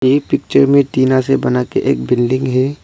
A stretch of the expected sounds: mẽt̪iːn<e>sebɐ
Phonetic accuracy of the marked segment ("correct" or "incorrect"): incorrect